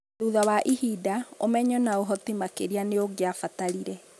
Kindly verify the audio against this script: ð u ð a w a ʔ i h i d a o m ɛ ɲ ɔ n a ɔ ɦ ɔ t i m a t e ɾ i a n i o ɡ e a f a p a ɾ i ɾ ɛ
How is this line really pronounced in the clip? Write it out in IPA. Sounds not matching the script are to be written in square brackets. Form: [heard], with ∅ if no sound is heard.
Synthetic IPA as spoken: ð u ð a w a ʔ i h i d a o m ɛ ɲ ɔ n a [o] ɦ ɔ t i m a [k] e ɾ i a n [e] o ɡ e a f a [t] a ɾ i ɾ ɛ